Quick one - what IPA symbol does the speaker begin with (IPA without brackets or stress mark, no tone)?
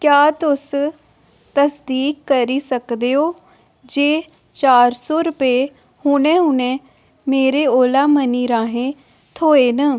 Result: k